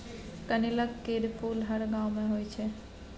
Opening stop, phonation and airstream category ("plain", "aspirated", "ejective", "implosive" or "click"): plain